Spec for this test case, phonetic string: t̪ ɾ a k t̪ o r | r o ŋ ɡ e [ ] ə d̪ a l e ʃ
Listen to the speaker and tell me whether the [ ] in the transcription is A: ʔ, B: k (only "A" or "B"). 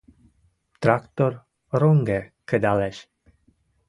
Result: B